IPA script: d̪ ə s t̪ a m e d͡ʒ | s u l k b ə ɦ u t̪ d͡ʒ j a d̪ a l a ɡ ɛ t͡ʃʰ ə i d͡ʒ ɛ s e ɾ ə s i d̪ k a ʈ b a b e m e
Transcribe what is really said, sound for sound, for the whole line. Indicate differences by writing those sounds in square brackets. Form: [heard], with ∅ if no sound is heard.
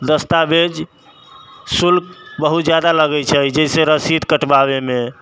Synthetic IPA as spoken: d̪ ə s t̪ a [b] e d͡ʒ | s u l k b ə ɦ u t̪ d͡ʒ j a d̪ a l [ə] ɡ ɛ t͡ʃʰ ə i d͡ʒ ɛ s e ɾ ə s i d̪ k [ə] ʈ b a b e m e